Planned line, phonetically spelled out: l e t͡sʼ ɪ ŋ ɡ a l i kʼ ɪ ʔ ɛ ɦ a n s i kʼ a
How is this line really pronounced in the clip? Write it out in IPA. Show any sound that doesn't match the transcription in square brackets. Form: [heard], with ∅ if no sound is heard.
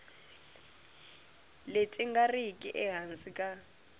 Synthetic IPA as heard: l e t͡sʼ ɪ ŋ ɡ a [r] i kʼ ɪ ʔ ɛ ɦ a n s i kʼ a